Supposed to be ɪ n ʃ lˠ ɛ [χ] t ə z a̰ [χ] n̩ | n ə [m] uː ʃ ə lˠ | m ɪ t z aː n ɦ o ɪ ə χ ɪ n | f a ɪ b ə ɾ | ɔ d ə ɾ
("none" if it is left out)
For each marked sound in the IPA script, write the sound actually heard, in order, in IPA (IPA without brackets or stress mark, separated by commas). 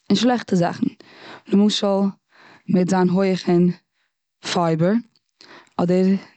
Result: χ, χ, m